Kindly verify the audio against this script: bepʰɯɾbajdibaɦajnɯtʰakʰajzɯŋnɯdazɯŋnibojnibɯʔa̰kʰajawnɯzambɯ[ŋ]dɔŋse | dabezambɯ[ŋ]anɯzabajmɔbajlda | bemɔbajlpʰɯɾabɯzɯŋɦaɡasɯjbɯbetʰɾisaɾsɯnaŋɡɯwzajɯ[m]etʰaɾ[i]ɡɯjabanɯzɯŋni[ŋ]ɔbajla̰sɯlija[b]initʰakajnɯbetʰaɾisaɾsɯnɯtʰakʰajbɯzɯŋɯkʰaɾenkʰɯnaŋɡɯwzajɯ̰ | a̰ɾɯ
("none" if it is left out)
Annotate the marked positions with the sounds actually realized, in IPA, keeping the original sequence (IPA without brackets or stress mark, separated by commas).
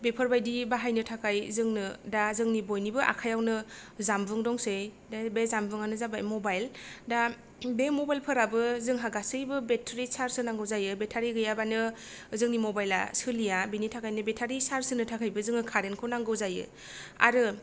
ŋ, ŋ, b, i, m, b